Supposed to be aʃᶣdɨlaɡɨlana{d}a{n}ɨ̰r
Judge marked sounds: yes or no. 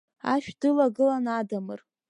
yes, no

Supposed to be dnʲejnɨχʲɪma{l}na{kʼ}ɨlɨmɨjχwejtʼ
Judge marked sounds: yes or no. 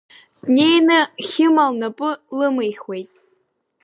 yes, no

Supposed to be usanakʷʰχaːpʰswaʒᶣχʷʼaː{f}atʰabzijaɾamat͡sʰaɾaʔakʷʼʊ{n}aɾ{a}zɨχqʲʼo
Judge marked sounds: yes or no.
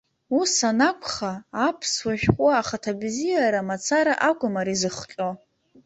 no, no, no

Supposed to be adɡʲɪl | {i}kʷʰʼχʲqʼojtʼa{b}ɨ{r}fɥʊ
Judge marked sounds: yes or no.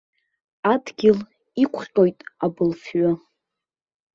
yes, yes, no

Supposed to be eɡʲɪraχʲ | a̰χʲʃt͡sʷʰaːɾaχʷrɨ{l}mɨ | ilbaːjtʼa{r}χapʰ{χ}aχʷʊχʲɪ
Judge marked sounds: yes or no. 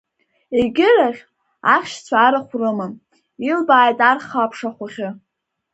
no, yes, no

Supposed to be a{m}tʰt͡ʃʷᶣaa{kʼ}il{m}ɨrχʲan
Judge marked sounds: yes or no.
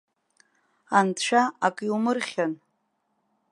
no, yes, yes

